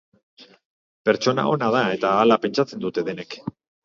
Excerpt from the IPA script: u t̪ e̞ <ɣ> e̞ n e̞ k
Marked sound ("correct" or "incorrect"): incorrect